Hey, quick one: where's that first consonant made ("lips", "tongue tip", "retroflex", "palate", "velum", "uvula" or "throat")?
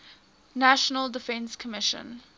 tongue tip